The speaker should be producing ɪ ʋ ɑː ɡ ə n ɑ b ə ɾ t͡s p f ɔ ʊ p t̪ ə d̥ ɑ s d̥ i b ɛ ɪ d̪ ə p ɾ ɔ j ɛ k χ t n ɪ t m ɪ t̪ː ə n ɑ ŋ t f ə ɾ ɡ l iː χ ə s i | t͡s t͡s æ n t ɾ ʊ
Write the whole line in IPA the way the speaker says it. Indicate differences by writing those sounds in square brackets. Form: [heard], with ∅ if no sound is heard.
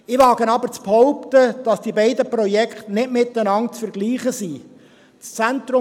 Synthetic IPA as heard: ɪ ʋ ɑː ɡ ə n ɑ b ə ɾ t͡s p [h] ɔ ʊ p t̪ ə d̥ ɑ s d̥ i b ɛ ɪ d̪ ə p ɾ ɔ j ɛ k χ t n ɪ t m ɪ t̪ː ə n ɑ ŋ [t͡s] f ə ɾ ɡ l iː χ ə s i | t͡s t͡s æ n t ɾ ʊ